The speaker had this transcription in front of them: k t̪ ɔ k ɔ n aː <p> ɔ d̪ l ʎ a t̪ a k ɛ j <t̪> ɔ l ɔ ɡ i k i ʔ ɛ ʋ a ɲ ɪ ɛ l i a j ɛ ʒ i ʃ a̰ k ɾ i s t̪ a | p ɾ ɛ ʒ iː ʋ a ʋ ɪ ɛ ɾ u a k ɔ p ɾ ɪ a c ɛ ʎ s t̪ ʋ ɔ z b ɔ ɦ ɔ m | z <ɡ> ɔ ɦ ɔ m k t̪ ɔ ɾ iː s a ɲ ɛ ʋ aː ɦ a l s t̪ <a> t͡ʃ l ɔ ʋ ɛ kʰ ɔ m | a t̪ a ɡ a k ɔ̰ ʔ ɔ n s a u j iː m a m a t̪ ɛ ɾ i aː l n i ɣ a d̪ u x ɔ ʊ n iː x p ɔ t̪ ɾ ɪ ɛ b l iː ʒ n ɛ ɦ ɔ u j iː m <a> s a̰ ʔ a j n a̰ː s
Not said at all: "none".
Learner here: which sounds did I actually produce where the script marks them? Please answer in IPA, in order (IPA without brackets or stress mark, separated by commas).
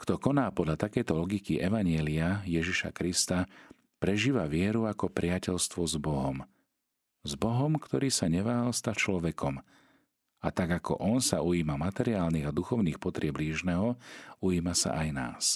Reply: p, t̪, b, a, a